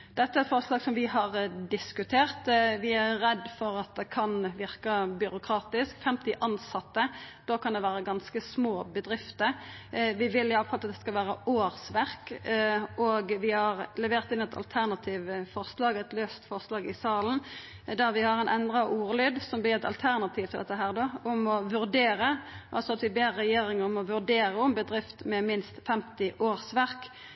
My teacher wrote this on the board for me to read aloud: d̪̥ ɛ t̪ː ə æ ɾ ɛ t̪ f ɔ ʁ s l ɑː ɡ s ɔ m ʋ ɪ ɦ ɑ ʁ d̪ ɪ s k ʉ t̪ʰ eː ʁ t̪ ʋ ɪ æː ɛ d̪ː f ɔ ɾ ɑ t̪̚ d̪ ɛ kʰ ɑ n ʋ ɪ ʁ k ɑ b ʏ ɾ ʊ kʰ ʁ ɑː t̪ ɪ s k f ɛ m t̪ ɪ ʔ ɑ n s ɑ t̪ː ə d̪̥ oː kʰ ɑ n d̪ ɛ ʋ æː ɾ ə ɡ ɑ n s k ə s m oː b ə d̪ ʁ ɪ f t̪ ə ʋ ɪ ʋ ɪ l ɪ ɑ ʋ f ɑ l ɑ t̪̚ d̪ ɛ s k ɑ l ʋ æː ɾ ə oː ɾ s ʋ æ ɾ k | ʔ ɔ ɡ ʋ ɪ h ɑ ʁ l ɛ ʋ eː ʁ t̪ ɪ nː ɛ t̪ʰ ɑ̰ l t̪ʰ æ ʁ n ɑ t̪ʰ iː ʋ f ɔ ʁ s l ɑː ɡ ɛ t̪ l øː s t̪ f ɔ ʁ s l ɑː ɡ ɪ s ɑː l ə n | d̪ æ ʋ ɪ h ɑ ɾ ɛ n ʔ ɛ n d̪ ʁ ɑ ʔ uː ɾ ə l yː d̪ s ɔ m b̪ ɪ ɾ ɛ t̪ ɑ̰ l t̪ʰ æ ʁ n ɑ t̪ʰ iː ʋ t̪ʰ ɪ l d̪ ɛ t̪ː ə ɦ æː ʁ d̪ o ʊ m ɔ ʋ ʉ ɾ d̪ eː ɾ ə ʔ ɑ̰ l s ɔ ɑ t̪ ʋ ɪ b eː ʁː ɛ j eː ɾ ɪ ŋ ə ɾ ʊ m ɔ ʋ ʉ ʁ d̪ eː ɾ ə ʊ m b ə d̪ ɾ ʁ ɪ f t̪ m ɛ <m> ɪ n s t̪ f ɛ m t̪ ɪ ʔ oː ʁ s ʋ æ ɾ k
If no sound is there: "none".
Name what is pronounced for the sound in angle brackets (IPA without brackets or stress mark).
m